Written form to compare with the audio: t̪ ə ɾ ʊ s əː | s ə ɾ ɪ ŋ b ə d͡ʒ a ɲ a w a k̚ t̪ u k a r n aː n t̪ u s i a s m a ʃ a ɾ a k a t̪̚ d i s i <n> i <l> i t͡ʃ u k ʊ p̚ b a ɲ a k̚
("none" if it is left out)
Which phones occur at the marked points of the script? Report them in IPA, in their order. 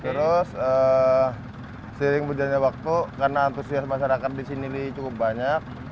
n, l

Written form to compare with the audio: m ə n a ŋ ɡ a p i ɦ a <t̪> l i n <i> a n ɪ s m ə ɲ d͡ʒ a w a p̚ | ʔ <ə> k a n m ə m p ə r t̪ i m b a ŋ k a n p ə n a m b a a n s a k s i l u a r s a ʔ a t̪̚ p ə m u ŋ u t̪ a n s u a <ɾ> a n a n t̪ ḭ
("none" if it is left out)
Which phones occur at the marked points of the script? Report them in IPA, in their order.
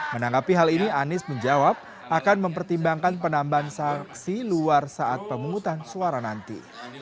none, i, a, ɾ

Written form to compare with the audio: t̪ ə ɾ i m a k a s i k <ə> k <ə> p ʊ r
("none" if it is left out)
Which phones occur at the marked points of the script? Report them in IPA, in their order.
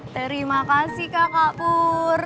a, a

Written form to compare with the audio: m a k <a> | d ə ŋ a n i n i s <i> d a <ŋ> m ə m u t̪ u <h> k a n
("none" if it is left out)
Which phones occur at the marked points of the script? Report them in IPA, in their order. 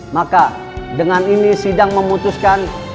a, i, ŋ, s

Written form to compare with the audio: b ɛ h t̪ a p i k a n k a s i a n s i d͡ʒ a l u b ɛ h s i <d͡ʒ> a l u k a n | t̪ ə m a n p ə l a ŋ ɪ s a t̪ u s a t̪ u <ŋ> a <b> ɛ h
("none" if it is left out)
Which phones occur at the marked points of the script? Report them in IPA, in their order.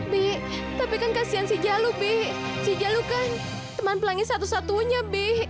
d͡ʒ, ɲ, b

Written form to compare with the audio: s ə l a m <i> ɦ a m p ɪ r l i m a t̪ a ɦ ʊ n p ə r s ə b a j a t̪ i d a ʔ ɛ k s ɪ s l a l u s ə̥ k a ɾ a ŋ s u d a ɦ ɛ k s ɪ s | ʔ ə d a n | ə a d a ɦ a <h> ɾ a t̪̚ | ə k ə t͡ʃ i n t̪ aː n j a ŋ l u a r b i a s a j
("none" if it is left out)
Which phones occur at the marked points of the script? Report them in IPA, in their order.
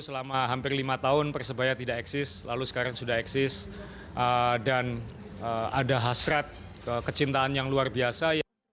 a, s

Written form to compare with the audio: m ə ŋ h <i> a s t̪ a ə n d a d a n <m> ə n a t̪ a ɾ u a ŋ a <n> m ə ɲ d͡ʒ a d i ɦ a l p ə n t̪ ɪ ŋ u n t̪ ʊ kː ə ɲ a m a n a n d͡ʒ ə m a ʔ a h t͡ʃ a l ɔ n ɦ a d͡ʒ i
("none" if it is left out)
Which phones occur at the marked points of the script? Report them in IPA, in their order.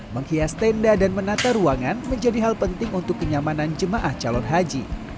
i, m, n

